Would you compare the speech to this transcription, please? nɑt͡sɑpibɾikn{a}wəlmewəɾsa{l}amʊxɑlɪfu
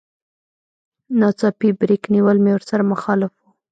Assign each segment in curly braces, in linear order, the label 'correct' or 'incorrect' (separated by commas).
incorrect, incorrect